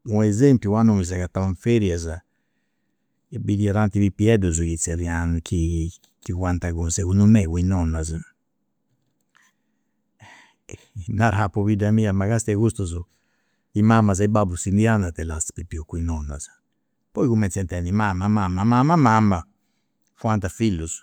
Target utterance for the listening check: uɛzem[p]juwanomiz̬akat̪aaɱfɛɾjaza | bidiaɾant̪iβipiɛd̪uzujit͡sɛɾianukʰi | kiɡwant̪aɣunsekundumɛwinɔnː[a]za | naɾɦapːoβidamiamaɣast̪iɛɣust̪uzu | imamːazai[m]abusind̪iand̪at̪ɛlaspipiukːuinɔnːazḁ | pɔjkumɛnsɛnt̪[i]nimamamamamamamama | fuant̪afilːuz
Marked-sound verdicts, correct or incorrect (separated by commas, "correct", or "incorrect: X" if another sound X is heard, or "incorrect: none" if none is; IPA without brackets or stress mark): correct, correct, incorrect: b, incorrect: ɛ